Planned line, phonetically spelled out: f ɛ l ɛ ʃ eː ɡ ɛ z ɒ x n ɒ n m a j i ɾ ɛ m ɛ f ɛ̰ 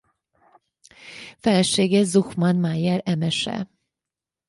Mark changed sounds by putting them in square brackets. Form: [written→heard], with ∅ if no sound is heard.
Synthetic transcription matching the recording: f ɛ l ɛ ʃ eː ɡ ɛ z [ɒ→u] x [n→m] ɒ n m a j [i→ɛ] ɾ ɛ m ɛ [f→ʃ] ɛ̰